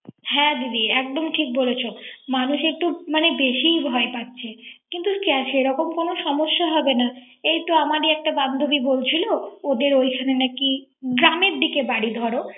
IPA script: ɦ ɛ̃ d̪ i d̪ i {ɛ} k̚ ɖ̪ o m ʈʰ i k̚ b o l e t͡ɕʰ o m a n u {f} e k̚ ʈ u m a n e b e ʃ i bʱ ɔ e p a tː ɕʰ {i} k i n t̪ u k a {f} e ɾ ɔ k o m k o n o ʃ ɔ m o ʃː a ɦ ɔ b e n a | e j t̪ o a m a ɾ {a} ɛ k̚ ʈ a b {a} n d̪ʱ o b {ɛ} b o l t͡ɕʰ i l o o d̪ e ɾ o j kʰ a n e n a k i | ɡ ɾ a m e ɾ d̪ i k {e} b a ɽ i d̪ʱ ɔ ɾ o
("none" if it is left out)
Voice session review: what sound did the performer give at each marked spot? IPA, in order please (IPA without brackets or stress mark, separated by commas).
ɛ, ʃ, e, ʃ, i, a, i, e